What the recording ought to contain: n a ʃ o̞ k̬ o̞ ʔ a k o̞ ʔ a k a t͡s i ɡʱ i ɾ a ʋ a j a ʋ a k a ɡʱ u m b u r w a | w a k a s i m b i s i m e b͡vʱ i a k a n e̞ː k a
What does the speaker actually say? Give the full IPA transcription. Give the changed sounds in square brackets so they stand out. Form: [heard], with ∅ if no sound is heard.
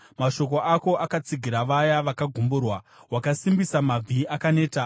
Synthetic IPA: [m] a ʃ o̞ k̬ o̞ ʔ a k o̞ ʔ a k a t͡s i ɡʱ i ɾ a ʋ a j a ʋ a k a ɡʱ u m b u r w a | w a k a s i m b i s [a] m [a] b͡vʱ i a k a n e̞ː [t] a